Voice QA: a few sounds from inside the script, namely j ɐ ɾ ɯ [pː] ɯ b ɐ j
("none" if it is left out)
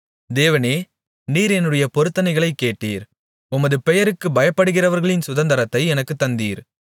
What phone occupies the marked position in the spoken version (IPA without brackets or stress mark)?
kː